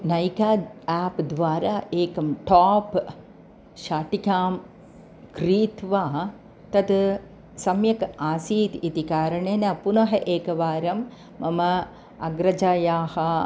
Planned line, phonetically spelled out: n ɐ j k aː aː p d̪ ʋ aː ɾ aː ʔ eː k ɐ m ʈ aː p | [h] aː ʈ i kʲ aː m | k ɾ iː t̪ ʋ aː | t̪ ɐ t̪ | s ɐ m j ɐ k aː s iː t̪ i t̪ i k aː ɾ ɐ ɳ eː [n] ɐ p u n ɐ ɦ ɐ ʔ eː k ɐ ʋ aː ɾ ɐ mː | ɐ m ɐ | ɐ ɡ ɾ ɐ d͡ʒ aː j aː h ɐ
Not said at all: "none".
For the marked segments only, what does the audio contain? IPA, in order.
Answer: ʃ, n

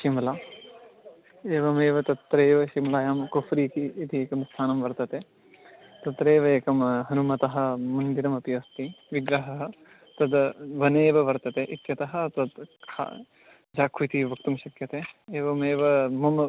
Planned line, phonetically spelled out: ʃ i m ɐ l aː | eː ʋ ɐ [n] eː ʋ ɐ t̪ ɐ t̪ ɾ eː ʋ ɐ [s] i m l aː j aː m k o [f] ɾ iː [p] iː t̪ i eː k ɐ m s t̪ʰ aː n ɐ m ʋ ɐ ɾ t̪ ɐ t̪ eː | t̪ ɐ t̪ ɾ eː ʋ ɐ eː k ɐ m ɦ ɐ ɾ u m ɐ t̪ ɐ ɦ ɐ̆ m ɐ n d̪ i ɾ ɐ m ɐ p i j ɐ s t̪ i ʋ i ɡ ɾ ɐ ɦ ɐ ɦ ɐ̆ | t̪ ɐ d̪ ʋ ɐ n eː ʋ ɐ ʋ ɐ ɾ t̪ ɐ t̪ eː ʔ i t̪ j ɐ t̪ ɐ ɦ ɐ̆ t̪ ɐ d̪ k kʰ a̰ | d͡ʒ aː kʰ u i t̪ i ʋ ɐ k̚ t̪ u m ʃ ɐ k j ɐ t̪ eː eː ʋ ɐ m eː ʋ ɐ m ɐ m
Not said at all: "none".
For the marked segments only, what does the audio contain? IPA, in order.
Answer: m, ʃ, f, k

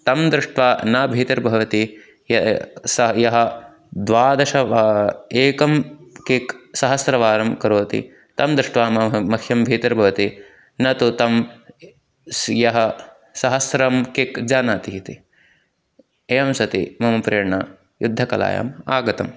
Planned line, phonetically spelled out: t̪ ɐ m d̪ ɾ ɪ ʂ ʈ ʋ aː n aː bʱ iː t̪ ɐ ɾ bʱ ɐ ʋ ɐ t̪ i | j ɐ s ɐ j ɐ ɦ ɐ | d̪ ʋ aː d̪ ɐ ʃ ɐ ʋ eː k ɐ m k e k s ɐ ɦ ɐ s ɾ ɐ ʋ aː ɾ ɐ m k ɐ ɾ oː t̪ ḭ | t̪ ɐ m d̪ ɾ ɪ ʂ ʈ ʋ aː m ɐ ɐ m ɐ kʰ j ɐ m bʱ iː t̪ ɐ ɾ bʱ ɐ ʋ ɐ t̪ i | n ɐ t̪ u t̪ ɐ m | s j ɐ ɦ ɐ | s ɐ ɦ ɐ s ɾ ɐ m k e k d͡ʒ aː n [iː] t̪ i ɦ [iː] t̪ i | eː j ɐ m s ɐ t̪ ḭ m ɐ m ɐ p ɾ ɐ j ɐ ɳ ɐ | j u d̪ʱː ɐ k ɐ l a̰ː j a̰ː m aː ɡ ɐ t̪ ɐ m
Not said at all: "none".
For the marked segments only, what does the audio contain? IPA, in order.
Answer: aː, i

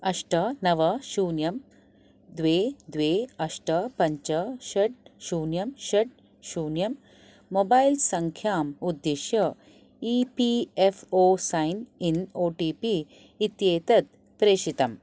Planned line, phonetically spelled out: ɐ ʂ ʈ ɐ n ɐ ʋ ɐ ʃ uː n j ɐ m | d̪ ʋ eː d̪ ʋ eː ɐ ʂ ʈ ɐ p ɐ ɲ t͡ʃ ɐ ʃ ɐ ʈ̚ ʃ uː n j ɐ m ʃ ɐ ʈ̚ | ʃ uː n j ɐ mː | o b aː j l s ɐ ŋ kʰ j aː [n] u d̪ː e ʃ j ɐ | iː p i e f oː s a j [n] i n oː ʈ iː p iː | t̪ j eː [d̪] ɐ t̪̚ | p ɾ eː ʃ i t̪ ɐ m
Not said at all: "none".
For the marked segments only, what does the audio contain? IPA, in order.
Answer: m, n, t̪

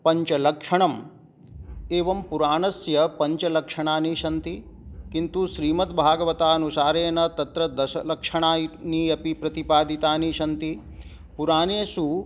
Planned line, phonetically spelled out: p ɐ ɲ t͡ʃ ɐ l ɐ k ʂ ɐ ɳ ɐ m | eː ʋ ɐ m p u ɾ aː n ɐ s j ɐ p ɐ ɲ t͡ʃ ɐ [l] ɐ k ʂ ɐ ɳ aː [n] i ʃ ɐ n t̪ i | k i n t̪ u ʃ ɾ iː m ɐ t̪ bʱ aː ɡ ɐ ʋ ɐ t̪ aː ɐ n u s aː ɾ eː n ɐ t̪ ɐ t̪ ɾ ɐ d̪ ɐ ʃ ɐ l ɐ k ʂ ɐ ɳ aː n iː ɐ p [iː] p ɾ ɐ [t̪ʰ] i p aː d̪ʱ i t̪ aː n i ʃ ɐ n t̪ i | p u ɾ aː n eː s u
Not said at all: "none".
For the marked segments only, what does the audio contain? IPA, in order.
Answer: l, n, i, t̪

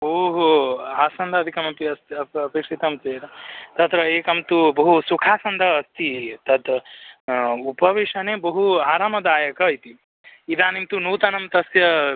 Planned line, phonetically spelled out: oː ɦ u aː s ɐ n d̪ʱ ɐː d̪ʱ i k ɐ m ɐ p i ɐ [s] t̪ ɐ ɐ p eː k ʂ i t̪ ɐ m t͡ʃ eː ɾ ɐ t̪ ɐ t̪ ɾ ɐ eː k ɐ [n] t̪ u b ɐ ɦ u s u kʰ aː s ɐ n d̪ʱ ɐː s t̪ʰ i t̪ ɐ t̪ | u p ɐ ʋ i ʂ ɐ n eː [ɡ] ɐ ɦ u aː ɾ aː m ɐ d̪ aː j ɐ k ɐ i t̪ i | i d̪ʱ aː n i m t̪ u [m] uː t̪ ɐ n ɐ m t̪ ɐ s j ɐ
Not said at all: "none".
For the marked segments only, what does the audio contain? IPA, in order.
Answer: s, m, b, n

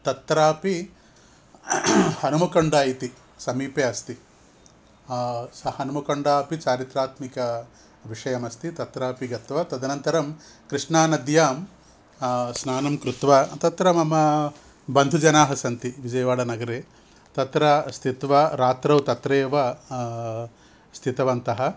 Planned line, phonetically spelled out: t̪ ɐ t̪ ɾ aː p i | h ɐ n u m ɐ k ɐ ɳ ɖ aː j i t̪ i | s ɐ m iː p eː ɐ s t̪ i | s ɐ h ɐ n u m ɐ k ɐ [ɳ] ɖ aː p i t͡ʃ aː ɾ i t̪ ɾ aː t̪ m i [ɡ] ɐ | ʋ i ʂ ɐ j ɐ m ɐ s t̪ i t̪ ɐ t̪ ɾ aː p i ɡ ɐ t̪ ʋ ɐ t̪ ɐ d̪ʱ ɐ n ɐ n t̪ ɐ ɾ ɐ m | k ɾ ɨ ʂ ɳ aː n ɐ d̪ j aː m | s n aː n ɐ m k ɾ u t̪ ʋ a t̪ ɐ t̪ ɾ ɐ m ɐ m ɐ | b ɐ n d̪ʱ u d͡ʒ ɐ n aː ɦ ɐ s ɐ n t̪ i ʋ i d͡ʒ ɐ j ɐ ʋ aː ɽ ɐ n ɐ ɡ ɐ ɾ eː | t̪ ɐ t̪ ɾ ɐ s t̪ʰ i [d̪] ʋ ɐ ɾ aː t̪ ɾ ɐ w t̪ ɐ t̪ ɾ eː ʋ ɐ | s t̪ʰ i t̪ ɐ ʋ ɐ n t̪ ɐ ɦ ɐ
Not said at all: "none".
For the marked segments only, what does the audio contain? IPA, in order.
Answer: ɳ, k, t̪

